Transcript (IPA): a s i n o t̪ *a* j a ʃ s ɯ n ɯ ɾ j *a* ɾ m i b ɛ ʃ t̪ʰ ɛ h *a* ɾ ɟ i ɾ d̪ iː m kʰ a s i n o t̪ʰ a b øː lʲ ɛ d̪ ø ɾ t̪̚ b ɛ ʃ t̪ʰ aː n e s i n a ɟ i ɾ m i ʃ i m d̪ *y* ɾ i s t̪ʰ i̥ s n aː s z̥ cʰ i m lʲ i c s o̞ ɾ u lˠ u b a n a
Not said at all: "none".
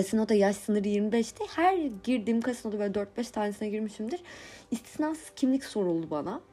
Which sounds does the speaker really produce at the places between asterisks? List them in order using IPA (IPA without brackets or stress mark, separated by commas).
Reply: a, i, æ, i